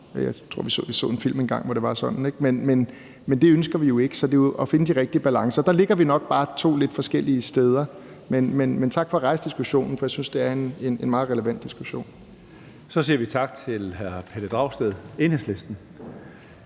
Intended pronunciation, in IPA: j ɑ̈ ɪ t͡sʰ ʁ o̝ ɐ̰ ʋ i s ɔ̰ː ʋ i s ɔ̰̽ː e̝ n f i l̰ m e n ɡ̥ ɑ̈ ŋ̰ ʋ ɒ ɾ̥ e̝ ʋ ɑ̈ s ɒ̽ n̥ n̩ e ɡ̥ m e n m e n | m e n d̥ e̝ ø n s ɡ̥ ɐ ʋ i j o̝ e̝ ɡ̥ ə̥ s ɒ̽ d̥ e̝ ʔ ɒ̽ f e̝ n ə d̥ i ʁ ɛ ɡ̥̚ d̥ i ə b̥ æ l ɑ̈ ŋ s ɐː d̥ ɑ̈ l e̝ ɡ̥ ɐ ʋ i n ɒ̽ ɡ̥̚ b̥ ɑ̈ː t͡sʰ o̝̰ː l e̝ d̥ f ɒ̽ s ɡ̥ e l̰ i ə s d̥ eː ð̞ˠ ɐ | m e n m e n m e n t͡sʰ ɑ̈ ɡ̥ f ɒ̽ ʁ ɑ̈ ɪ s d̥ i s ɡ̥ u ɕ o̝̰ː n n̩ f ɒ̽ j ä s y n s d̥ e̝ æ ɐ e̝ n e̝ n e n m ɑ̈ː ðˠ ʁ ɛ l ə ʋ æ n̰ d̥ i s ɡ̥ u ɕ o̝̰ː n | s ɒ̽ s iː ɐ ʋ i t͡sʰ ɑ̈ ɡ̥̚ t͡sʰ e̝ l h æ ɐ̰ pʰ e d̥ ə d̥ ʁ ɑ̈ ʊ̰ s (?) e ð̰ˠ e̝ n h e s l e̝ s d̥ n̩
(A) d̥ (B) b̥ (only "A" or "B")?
A